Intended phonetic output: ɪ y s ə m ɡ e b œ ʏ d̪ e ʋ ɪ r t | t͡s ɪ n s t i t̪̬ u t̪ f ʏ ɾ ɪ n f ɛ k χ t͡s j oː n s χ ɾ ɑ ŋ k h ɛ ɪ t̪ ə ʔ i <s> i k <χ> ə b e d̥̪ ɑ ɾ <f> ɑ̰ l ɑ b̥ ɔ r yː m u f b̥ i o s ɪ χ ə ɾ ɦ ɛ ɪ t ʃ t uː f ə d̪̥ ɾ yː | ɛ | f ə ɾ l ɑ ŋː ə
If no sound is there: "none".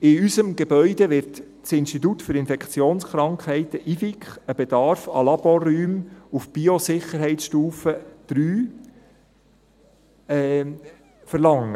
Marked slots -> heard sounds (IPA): f, χ, f

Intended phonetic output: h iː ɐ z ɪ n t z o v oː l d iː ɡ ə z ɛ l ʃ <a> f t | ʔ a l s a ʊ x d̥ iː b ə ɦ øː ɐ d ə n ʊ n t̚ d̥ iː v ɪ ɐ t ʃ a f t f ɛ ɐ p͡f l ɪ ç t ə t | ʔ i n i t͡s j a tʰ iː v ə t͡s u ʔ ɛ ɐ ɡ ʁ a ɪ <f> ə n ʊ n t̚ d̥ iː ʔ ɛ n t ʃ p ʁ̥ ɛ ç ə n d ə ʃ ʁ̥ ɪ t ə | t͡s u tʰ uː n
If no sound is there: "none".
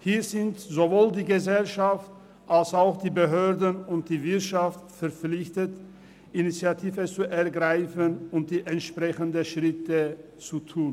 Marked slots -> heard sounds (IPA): a, f

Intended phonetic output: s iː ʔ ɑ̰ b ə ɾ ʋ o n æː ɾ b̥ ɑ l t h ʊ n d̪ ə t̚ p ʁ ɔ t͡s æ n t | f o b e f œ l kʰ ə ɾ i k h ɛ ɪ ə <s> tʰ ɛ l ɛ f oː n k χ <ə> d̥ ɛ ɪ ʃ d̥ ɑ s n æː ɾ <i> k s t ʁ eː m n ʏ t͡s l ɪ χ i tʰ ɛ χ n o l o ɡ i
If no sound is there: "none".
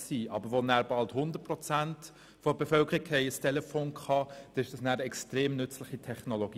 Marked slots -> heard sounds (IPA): s, ɑ, ɛ

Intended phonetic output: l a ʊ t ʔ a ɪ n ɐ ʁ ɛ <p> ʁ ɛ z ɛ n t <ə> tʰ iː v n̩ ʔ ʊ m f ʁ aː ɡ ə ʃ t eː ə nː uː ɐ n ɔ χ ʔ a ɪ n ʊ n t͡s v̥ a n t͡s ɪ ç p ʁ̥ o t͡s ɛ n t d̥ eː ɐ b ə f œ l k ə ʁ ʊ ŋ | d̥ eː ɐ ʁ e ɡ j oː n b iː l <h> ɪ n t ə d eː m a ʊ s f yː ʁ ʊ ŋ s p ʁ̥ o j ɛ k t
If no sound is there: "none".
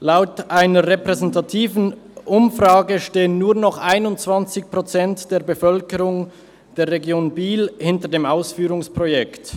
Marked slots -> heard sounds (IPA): p, a, h

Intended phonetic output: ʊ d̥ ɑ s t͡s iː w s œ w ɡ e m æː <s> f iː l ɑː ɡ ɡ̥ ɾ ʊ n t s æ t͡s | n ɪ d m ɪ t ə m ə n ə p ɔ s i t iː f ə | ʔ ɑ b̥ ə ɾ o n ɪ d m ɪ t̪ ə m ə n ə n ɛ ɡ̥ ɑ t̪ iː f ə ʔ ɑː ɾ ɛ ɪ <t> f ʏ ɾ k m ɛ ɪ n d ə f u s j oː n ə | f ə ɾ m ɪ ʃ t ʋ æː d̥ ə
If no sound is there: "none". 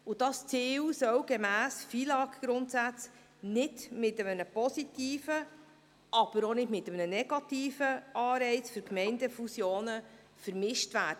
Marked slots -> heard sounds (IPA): s, t͡s

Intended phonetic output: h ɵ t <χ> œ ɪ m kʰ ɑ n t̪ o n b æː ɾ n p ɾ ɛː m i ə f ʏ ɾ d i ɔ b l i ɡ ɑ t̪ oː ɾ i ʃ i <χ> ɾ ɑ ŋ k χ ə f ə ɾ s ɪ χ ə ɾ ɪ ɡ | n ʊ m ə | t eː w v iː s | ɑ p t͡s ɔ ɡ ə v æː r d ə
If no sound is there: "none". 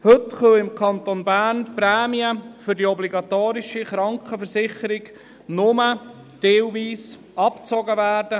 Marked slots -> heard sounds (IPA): χ, χ

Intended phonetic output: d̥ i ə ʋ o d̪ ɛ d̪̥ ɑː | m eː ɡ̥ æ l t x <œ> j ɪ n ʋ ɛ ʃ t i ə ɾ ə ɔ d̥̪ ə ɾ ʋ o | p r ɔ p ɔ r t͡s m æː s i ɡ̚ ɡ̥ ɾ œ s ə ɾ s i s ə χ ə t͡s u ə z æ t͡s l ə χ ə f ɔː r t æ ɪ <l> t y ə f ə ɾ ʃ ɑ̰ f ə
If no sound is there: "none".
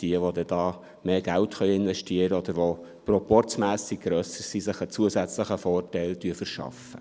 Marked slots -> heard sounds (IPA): œ, l

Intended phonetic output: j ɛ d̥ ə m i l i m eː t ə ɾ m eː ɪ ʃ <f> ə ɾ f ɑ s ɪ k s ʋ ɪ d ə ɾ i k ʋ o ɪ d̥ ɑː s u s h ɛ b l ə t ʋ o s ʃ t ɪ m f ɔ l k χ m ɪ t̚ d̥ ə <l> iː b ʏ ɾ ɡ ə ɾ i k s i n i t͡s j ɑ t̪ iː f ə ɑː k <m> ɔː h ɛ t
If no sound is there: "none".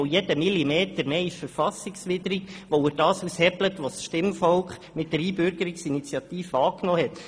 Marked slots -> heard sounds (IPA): f, ɾ, n

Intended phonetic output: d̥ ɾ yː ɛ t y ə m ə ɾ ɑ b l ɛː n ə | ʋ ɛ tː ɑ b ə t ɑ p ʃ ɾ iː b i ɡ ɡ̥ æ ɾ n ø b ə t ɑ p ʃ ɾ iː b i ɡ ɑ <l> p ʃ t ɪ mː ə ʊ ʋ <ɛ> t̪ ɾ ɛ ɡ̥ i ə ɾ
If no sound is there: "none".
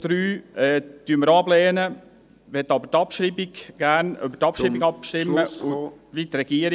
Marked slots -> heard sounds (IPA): none, i

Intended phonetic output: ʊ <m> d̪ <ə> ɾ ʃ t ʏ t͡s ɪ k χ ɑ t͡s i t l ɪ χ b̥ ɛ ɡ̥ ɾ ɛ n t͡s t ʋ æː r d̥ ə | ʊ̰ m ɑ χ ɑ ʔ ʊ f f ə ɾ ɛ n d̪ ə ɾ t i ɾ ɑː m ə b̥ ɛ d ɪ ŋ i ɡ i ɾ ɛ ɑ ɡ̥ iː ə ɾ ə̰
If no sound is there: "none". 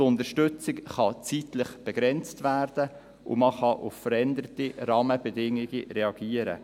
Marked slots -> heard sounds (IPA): n, ə

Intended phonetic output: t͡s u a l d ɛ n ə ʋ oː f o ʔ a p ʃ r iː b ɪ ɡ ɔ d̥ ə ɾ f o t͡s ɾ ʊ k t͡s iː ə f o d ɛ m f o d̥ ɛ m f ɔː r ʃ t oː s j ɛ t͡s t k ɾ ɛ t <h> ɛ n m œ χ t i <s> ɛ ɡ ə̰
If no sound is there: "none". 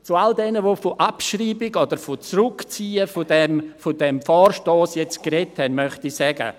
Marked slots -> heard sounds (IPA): h, s

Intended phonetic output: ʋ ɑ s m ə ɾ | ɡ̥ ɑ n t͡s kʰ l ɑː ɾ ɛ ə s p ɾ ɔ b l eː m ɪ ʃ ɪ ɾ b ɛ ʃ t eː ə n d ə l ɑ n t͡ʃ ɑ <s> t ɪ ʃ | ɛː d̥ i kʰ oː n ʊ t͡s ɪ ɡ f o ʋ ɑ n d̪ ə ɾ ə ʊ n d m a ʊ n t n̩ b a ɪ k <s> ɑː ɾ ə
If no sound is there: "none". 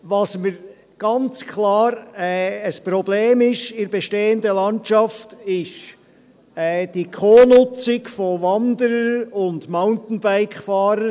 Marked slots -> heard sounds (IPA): f, f

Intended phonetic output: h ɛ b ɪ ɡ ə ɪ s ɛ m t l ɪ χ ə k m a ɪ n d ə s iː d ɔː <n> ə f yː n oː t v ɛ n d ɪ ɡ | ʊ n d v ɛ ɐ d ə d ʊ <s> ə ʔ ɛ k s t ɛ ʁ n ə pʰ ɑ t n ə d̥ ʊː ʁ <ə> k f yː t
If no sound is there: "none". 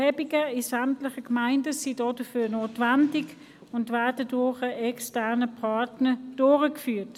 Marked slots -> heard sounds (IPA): d, χ, ə

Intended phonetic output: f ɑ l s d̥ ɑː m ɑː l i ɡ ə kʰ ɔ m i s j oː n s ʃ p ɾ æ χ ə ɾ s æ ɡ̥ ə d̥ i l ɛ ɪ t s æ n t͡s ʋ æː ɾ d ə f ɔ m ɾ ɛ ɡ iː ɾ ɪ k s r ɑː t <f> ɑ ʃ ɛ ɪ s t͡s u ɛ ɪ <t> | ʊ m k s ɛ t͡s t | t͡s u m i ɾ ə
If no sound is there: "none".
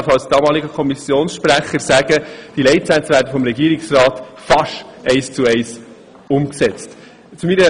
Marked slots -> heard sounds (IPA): f, s

